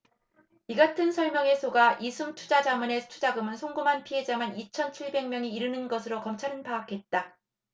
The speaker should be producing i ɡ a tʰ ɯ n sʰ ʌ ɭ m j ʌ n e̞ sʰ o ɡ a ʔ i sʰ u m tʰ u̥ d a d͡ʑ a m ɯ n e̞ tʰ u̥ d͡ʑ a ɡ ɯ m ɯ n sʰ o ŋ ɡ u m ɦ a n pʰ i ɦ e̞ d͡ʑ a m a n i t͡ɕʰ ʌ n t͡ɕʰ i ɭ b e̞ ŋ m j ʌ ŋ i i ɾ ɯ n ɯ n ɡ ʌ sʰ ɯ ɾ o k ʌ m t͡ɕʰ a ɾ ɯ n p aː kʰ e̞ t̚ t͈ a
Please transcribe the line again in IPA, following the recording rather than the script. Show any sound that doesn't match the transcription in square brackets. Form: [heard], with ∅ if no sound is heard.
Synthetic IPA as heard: i ɡ a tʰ ɯ n sʰ ʌ ɭ m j ʌ [ŋ] e̞ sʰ o ɡ a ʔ i sʰ u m tʰ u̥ [d͡ʑ] a d͡ʑ a m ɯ n e̞ tʰ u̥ d͡ʑ a ɡ ɯ m ɯ n sʰ o ŋ ɡ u m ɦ a n pʰ i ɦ e̞ d͡ʑ a m a n i t͡ɕʰ ʌ n t͡ɕʰ i ɭ b e̞ ŋ m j ʌ ŋ i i ɾ ɯ n ɯ n ɡ ʌ sʰ ɯ ɾ o k ʌ m t͡ɕʰ a ɾ ɯ n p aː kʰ e̞ t̚ t͈ a